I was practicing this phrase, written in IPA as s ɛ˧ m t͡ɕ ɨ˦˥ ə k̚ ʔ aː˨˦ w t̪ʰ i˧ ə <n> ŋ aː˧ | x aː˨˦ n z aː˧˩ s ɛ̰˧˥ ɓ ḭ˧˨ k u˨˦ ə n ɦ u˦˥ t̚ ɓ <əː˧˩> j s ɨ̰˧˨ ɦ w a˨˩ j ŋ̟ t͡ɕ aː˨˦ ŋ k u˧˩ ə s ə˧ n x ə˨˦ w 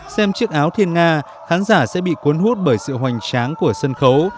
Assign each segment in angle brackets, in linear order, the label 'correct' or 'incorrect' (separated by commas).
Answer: correct, correct